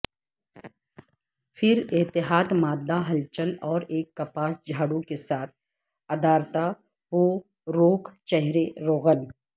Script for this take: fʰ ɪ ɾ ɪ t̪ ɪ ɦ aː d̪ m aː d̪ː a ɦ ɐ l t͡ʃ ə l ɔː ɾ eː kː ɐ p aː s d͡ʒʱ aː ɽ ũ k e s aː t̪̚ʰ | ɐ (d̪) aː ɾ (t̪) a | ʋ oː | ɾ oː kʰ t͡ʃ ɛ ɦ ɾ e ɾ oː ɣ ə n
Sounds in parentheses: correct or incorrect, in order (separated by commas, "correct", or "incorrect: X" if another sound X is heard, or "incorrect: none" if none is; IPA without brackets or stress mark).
correct, correct